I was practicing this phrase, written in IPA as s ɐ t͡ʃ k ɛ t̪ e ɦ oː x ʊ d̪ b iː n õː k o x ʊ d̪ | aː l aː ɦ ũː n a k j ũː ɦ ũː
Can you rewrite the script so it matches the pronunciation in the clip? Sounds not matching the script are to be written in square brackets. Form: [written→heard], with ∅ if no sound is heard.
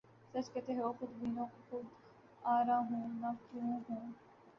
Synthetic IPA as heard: s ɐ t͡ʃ k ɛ t̪ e ɦ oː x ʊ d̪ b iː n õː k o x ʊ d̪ | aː [l→ɾ] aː ɦ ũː n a k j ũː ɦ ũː